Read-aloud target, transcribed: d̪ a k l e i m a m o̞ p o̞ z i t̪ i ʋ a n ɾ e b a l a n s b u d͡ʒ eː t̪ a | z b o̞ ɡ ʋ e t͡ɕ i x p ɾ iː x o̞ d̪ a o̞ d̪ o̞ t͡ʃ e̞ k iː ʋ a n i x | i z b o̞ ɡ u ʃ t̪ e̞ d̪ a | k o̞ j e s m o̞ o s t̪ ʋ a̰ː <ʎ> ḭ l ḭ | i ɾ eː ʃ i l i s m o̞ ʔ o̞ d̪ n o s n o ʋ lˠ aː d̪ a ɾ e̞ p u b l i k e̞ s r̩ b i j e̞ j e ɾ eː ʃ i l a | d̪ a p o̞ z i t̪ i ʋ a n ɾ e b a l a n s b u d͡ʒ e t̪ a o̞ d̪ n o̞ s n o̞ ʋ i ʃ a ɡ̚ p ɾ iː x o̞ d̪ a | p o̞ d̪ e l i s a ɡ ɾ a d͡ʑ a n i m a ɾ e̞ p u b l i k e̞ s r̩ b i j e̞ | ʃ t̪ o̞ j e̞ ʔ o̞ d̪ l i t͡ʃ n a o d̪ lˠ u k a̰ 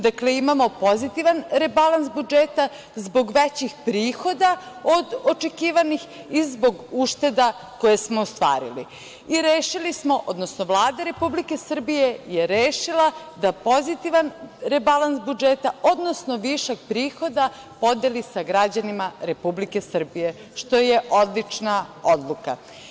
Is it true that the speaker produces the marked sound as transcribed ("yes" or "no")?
no